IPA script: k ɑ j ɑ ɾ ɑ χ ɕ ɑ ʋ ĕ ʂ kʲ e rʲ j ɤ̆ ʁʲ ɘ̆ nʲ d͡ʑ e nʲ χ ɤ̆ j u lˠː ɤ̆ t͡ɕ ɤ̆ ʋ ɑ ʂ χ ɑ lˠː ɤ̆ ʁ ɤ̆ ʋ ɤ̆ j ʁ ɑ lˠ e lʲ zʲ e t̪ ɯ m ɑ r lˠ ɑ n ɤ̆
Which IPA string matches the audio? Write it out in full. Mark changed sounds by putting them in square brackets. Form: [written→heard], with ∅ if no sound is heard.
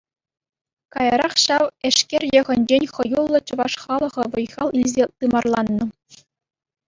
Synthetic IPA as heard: k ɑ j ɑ ɾ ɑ χ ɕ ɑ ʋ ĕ ʂ kʲ e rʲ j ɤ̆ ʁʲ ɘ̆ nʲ d͡ʑ e nʲ χ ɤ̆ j u lˠː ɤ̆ t͡ɕ ɤ̆ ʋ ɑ ʂ χ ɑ [lˠː→lˠ] ɤ̆ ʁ ɤ̆ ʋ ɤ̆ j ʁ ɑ lˠ [e→i] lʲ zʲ e t̪ ɯ m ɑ r lˠ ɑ [n→nː] ɤ̆